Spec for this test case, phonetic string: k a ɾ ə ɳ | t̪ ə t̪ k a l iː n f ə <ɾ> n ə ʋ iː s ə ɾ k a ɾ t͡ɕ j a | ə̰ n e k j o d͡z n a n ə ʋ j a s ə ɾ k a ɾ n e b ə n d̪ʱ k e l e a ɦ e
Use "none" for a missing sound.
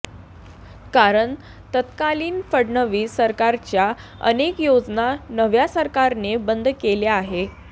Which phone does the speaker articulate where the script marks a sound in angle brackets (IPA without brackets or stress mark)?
ɽ